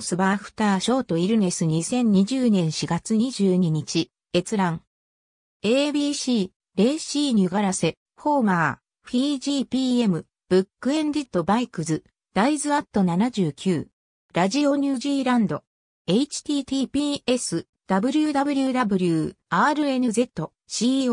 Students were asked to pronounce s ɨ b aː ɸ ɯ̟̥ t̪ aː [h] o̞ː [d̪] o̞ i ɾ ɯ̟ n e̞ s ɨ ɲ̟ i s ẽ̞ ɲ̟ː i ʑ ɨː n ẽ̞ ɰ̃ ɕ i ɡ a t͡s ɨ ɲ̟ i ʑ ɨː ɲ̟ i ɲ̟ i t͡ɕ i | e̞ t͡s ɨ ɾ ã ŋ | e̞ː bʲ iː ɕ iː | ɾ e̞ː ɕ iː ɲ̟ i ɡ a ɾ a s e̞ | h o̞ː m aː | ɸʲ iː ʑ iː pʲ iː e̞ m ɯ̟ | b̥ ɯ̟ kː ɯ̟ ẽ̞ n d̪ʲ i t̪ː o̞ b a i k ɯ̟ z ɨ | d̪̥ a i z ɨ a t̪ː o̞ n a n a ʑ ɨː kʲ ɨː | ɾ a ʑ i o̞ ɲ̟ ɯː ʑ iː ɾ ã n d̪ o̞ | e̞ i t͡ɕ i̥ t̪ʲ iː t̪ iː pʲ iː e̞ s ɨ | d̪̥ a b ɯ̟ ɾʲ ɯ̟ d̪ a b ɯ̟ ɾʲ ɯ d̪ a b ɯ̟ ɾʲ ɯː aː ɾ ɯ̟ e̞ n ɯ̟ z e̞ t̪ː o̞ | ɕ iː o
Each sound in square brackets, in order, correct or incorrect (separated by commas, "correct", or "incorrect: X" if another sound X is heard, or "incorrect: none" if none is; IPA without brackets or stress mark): incorrect: ɕ, incorrect: t̪